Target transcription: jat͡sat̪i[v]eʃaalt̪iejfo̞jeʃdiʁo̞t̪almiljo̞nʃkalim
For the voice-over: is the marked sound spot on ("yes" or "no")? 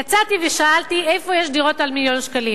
yes